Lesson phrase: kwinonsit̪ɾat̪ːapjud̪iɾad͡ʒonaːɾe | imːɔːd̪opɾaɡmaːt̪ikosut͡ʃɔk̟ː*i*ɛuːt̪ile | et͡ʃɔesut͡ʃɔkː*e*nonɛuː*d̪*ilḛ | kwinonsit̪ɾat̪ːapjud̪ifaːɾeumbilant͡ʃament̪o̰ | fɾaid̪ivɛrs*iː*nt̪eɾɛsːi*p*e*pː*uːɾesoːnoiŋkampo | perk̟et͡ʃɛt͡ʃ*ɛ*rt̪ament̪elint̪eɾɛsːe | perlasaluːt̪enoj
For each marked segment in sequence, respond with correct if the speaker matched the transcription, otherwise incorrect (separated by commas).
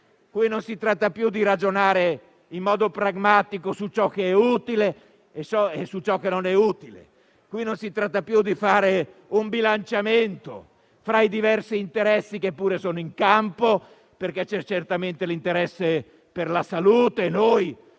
incorrect, correct, incorrect, correct, incorrect, correct, incorrect